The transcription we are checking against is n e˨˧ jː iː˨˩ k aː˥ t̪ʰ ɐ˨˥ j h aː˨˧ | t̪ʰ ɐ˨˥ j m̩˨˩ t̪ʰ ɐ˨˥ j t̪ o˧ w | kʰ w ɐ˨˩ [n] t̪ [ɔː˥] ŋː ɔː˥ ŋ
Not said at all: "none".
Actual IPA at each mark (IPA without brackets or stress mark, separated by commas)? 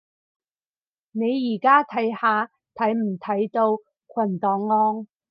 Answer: n, ɔː˨˧